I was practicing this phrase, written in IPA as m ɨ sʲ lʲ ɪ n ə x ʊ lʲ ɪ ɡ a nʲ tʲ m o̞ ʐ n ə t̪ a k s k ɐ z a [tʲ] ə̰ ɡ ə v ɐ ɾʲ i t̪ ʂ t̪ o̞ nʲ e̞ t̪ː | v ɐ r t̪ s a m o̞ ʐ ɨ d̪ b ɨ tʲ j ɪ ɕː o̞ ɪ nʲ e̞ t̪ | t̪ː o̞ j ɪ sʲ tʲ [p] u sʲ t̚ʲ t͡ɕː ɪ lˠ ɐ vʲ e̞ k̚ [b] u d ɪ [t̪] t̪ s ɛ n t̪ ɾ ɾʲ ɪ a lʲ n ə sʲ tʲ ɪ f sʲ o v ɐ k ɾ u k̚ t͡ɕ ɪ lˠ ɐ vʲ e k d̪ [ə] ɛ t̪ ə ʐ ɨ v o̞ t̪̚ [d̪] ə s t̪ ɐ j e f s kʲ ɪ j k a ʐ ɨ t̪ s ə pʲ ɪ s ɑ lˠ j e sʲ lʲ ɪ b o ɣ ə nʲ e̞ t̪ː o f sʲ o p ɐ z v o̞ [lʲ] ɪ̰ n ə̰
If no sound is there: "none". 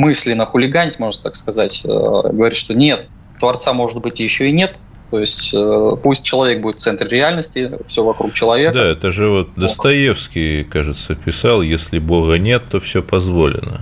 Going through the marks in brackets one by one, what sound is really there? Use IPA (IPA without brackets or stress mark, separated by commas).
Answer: tʲ, p, b, t̪, a, d̪, lʲ